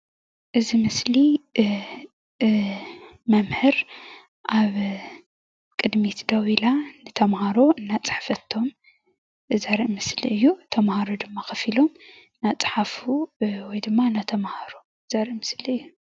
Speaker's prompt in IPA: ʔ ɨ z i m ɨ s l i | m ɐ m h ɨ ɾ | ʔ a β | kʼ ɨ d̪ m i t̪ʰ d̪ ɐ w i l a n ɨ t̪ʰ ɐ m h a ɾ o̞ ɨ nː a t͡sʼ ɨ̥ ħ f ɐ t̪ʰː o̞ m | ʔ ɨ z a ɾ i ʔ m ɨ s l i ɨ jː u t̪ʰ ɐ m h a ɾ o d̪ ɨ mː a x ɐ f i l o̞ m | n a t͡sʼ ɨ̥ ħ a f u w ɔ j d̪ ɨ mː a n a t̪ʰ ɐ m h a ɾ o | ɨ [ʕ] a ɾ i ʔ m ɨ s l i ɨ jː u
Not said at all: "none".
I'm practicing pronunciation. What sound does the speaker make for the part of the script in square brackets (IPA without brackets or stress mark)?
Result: z